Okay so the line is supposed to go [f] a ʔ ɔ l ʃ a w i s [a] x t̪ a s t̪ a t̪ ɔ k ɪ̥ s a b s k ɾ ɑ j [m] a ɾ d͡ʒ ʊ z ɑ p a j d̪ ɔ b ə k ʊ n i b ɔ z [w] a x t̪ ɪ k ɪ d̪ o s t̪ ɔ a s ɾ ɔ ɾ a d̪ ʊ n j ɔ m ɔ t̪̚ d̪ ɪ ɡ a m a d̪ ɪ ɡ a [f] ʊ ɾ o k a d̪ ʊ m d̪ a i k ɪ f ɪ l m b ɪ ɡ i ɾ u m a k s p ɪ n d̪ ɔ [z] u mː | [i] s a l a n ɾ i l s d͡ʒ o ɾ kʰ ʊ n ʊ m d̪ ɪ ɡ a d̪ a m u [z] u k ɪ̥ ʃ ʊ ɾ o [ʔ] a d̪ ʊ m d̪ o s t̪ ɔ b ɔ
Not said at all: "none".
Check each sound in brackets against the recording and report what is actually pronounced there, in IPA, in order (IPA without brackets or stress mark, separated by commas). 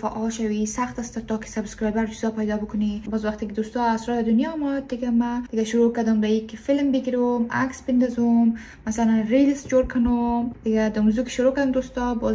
f, a, b, w, ʃ, z, a, z, k